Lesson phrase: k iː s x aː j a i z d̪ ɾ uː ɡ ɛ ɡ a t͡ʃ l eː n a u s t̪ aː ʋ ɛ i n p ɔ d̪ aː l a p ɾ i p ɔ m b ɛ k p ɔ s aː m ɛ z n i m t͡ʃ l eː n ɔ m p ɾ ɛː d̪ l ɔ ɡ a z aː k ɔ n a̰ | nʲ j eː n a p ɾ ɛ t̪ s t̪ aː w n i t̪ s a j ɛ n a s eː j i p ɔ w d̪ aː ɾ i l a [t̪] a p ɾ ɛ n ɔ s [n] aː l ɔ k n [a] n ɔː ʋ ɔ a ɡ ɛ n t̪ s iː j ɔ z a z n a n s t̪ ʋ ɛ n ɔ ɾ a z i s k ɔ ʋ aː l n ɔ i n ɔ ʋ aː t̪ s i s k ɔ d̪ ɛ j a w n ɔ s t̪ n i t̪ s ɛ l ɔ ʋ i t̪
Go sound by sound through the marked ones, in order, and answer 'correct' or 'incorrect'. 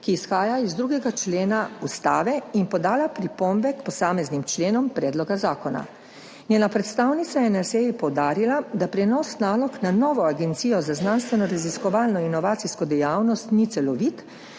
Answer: incorrect, correct, correct

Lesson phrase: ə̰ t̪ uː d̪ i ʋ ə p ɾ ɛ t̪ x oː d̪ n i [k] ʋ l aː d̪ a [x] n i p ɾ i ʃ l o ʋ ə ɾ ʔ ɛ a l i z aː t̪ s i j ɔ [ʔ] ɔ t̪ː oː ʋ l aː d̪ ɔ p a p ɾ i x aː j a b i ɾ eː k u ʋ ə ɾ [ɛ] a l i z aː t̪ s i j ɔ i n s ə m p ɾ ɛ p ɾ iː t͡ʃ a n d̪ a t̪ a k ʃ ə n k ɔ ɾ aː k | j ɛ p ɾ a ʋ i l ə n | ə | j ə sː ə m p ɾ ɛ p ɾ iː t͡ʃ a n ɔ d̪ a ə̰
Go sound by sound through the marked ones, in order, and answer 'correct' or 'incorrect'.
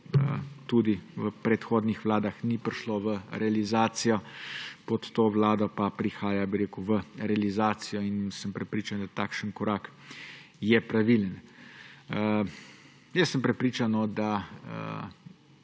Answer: incorrect, correct, incorrect, correct

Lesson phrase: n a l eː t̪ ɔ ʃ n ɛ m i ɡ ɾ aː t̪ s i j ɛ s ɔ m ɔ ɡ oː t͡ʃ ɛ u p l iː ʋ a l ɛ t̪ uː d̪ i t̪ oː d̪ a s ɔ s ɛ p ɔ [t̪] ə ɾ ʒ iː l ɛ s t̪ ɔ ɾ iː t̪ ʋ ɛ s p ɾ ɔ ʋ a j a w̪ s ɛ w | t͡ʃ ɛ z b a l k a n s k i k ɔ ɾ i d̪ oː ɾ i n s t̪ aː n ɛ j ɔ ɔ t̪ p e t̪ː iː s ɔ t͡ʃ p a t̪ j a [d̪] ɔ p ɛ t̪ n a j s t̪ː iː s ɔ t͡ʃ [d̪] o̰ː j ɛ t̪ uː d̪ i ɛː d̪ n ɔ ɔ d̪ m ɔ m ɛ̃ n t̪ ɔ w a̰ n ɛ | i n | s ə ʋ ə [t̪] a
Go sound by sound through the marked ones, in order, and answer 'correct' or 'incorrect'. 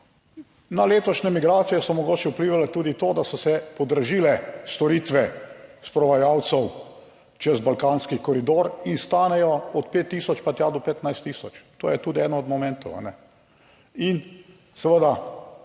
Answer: incorrect, correct, incorrect, incorrect

